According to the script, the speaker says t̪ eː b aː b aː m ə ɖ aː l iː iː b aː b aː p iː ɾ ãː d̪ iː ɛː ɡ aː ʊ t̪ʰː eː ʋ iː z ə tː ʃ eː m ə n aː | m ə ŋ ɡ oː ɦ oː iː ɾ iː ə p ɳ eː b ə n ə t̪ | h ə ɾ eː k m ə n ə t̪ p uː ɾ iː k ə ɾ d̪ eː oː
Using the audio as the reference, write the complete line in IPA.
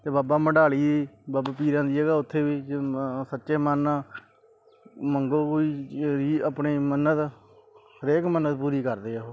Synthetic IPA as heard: t̪ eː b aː b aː m ə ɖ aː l iː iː b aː b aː p iː ɾ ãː d̪ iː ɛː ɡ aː ʊ t̪ʰː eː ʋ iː s ə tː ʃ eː m ə n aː | m ə ŋ ɡ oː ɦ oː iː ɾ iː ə p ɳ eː m ə n ə t̪ | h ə ɾ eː k m ə n ə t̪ p uː ɾ iː k ə ɾ d̪ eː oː